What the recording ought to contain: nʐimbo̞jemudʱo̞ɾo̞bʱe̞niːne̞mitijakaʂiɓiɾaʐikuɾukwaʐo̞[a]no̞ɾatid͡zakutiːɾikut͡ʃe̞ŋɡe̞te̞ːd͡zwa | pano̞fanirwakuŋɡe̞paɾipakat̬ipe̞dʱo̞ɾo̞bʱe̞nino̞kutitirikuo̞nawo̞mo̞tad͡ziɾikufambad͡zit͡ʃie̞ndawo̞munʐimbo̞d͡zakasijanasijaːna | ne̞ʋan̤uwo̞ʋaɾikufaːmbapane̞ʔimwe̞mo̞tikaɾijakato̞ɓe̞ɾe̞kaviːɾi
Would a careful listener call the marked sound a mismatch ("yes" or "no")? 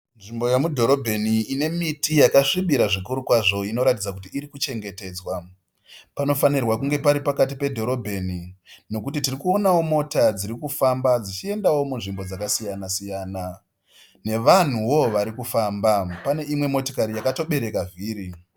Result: yes